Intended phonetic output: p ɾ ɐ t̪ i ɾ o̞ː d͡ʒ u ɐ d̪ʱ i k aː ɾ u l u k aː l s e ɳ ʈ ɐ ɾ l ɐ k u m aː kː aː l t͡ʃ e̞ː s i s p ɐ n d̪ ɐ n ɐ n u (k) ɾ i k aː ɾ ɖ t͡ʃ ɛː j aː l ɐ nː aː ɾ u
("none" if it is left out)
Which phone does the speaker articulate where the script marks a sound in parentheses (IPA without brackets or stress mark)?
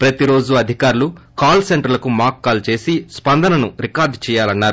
none